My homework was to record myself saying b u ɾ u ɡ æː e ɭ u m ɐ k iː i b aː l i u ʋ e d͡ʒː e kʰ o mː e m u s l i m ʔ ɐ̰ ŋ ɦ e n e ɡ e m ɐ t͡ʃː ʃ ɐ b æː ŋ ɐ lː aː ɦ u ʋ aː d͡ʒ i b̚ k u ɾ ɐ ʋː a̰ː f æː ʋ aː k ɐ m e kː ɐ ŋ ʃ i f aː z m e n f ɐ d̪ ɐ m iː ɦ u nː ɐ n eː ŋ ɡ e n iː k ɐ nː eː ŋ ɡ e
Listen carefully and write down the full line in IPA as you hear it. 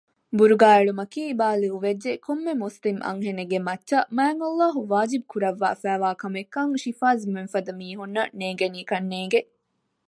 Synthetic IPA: b u ɾ u ɡ aː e ɭ u m ɐ k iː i b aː l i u ʋ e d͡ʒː e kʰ o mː e m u s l i m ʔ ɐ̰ ŋ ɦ e n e ɡ e m ɐ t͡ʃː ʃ ɐ m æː ŋ ɐ lː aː ɦ u ʋ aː d͡ʒ i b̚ k u ɾ ɐ ʋː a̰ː f æː ʋ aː k ɐ m e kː ɐ ŋ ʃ i f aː z m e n f ɐ d̪ ɐ m iː ɦ u nː ɐ n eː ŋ ɡ e n iː k ɐ nː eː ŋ ɡ e